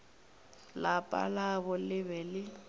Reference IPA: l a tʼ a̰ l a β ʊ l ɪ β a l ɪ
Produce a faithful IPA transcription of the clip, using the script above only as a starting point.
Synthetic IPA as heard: l a pʼ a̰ l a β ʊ l ɪ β ɛ l ɪ